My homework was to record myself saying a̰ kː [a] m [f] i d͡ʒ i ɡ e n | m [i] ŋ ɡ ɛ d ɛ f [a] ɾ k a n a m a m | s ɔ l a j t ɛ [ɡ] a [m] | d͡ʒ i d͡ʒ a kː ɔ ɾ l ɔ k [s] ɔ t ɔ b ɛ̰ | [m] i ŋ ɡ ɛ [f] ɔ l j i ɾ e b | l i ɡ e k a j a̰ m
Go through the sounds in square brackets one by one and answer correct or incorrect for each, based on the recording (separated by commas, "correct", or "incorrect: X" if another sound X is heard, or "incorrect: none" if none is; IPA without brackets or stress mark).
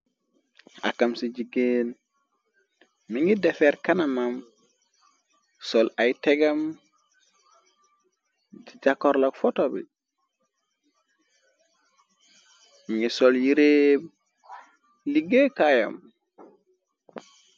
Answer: correct, incorrect: s, correct, incorrect: ɛ, correct, correct, incorrect: f, correct, incorrect: s